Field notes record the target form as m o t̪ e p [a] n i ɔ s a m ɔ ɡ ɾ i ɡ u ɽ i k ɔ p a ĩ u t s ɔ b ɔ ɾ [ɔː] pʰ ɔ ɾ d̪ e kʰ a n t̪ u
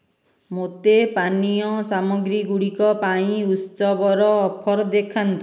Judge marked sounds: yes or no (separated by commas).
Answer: yes, yes